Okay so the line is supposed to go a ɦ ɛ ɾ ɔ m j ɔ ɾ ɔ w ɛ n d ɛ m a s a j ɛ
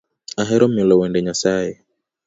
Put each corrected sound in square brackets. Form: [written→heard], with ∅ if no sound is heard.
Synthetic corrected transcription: a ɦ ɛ ɾ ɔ m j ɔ [ɾ→l] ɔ w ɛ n d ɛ [m→ɲ] a s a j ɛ